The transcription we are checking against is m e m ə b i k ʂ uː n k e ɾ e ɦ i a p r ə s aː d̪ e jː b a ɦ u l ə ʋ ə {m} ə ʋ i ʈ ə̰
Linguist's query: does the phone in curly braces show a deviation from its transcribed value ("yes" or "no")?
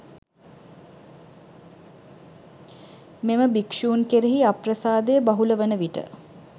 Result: yes